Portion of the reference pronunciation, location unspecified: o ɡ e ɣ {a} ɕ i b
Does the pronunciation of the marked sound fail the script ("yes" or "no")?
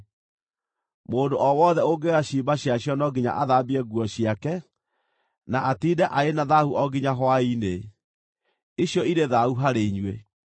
no